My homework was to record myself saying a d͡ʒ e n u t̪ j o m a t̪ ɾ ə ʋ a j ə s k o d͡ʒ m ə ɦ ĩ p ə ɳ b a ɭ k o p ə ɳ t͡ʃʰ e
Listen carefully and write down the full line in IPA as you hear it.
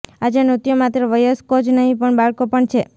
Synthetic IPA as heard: a d͡ʒ e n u t̪ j o m a t̪ ɾ ə ʋ ə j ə s k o d͡ʒ n ə ɦ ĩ p ə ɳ b a ɭ k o p ə ɳ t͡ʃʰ e

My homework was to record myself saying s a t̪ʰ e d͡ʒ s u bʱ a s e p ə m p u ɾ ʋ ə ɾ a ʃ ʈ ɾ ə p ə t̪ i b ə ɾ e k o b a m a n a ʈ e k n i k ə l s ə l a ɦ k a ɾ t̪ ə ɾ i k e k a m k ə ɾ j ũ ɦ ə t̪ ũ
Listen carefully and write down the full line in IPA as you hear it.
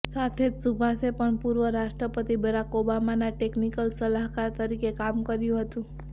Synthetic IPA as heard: s a t̪ʰ e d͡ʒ s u bʱ a s e p ə ɳ p u ɾ ʋ ə ɾ a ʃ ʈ ɾ ə p ə t̪ i b ə ɾ a k o b a m a n a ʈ e k n i k ə l s ə l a ɦ k a ɾ t̪ ə ɾ i k e k a m k ə ɾ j ũ ɦ ə t̪ ũ

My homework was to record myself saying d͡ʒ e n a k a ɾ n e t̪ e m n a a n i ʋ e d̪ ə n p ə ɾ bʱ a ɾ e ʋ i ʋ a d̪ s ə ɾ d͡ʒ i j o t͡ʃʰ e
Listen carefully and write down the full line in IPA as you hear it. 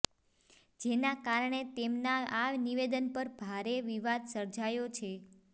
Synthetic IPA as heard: d͡ʒ e n a k a ɾ ɳ e t̪ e m n a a n i ʋ e d̪ ə n p ə ɾ bʱ a ɾ e ʋ i ʋ a d̪ s ə ɾ d͡ʒ a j o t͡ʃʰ e

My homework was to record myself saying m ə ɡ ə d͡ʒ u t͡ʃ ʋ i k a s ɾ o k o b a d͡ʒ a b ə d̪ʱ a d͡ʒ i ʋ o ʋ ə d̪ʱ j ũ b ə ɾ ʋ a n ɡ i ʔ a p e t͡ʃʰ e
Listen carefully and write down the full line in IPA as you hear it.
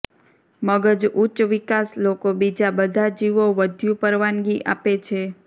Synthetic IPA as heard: m ə ɡ ə d͡ʒ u t͡ʃ ʋ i k a s l o k o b i d͡ʒ a b ə d̪ʱ a d͡ʒ i ʋ o ʋ ə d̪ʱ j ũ p ə ɾ ʋ a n ɡ i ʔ a p e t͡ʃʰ e

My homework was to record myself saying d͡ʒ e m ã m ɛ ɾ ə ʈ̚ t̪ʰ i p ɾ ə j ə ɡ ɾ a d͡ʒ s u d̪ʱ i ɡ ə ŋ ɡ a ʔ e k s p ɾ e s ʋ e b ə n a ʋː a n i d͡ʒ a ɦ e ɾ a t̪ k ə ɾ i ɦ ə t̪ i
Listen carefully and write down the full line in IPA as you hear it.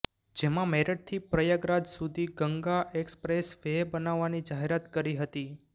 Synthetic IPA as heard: d͡ʒ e m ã m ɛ ɾ ə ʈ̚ t̪ʰ i p ɾ ə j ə ɡ ɾ a d͡ʒ s u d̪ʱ i ɡ ə ŋ ɡ a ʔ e k s p ɾ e s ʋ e b ə n a ʋː a n i d͡ʒ a ɦ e ɾ a t̪ k ə ɾ i ɦ ə t̪ i

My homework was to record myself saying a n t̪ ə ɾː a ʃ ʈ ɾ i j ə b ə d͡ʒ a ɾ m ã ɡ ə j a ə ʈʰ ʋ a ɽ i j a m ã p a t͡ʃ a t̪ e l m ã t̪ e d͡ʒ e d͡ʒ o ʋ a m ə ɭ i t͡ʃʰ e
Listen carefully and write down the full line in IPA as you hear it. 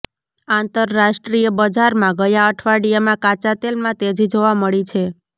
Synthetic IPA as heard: a n t̪ ə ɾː a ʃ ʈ ɾ i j ə b ə d͡ʒ a ɾ m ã ɡ ə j a ə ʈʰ ʋ a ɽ i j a m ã k a t͡ʃ a t̪ e l m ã t̪ e d͡ʒ i d͡ʒ o ʋ a m ə ɭ i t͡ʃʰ e

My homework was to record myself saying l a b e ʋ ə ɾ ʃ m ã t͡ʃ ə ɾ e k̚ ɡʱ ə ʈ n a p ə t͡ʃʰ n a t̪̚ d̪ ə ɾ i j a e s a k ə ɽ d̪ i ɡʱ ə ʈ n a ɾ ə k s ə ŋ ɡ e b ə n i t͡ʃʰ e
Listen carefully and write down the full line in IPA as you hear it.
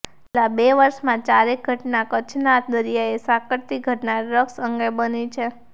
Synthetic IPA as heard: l a b e ʋ ə ɾ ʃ m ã t͡ʃ a ɾ e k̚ ɡʱ ə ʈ n a k ə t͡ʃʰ n a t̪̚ d̪ ə ɾ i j a e s a k ə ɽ t̪ i ɡʱ ə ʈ n a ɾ ə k s ə ŋ ɡ e b ə n i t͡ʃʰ e

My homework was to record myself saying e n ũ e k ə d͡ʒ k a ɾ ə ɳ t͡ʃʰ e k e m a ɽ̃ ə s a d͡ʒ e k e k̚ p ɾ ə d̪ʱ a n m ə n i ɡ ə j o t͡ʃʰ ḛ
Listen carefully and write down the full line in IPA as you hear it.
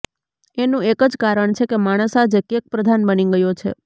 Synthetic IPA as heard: e n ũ e k ə d͡ʒ k a ɾ ə ɳ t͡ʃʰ e k e m a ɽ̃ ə s a d͡ʒ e k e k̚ p ɾ ə d̪ʱ a n b ə n i ɡ ə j o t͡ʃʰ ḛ

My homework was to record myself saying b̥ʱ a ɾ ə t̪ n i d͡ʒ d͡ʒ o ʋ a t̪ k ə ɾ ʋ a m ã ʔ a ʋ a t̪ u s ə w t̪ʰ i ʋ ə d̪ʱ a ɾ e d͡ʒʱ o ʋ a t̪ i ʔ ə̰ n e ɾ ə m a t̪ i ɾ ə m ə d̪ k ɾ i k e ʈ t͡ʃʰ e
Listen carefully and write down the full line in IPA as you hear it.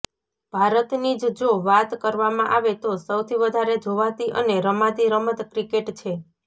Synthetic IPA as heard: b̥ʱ a ɾ ə t̪ n i d͡ʒ d͡ʒ o ʋ a t̪ k ə ɾ ʋ a m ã ʔ a ʋ e t̪ o s ə w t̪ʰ i ʋ ə d̪ʱ a ɾ e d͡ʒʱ o ʋ a t̪ i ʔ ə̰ n e ɾ ə m a t̪ i ɾ ə m ə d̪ k ɾ i k e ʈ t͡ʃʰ e

